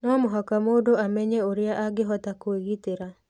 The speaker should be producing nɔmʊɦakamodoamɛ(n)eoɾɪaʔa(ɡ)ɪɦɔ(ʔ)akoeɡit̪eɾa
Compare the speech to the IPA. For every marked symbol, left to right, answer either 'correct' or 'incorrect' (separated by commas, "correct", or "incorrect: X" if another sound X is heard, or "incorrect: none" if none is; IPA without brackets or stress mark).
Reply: incorrect: ɲ, correct, incorrect: t